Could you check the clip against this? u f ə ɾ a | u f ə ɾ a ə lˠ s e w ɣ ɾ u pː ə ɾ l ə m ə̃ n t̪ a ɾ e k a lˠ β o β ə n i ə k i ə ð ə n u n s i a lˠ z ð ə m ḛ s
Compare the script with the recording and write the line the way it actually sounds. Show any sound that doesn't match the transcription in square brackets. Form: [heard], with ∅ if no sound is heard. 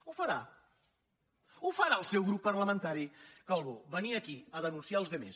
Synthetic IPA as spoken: u f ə ɾ a | u f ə ɾ a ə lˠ s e w ɣ ɾ u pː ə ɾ l ə m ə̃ n t̪ a ɾ [i] k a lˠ β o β ə n i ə k i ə ð ə n u n s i a lˠ z ð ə m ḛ s